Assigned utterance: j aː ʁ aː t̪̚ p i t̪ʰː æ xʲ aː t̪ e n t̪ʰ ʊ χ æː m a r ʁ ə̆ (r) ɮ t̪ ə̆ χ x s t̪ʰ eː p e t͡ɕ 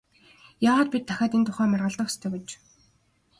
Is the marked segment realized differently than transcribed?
yes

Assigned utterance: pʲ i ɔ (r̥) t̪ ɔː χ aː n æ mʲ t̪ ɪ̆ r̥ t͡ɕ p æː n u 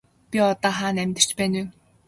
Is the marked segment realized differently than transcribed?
yes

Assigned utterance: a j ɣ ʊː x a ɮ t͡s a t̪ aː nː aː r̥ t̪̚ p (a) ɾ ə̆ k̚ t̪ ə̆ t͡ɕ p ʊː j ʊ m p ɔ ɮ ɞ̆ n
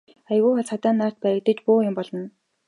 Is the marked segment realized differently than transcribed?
yes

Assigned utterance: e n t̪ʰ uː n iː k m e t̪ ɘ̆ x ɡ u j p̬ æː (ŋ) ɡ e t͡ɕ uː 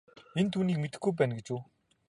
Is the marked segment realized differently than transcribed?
yes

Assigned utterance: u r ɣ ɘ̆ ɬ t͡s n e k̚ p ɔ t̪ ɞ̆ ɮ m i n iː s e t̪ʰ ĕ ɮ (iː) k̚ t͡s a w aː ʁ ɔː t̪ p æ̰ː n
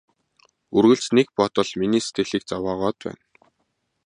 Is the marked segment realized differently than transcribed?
no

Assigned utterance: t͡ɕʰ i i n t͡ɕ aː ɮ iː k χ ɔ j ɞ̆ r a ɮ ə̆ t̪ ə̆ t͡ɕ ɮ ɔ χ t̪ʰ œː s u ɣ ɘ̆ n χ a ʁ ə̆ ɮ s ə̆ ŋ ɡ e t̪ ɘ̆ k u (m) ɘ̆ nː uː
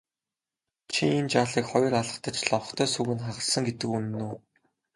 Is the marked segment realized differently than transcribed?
yes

